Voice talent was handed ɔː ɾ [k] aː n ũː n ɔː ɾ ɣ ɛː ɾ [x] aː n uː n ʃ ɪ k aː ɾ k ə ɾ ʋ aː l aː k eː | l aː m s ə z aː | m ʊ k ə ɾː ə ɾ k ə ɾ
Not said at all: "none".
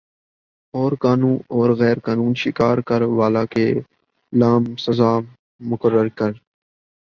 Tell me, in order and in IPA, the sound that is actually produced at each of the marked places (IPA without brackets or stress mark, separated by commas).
k, k